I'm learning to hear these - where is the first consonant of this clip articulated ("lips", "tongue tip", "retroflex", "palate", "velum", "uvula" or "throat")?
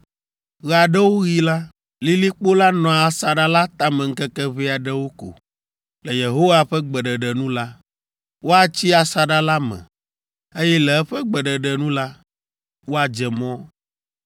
velum